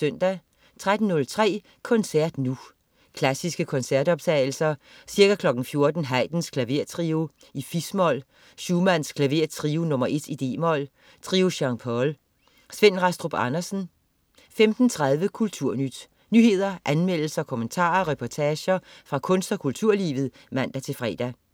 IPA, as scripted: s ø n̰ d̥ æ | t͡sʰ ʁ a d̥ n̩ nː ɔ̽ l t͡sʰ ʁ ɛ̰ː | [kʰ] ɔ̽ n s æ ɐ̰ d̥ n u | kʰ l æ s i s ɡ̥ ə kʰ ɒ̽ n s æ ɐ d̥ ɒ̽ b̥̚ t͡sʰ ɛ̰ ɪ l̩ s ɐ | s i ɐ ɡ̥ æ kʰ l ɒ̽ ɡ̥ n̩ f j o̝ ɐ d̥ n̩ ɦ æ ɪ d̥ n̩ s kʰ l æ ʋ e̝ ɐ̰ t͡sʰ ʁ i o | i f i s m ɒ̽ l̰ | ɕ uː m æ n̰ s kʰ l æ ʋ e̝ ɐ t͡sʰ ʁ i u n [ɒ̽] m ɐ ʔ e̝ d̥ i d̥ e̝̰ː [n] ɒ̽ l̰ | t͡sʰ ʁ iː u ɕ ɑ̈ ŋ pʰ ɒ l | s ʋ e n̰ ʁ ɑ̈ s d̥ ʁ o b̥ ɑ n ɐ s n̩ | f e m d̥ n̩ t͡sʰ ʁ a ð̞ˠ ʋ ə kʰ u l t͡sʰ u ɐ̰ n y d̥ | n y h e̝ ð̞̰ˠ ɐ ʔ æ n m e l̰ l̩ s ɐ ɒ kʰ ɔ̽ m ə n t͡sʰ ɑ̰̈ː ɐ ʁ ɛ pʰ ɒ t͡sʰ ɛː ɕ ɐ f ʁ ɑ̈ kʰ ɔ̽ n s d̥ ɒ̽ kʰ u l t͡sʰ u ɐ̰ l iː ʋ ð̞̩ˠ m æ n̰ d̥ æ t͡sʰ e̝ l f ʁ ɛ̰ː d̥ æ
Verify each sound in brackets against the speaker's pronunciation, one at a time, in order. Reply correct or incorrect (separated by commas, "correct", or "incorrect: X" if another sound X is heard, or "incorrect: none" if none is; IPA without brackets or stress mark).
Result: correct, incorrect: ɔ̽, incorrect: m